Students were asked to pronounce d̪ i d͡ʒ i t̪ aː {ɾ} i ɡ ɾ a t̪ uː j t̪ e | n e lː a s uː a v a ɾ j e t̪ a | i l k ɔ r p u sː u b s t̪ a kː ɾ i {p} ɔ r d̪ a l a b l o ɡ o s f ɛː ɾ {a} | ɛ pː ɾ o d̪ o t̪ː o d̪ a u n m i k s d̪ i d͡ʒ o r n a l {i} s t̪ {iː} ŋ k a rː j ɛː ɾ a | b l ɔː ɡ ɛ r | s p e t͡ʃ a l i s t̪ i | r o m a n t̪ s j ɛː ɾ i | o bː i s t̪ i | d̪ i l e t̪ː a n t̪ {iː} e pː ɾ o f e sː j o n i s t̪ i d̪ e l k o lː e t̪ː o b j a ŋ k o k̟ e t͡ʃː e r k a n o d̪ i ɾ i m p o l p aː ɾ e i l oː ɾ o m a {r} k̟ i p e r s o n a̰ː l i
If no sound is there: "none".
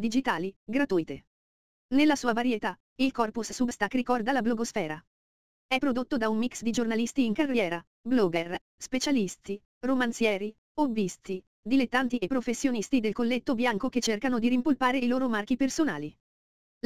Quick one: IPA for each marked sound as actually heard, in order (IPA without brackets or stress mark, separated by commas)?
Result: l, k, a, i, iː, i, r